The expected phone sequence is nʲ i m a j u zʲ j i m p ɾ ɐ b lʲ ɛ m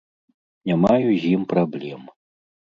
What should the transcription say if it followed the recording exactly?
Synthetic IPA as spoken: nʲ a m a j u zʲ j i m p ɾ a b lʲ ɛ m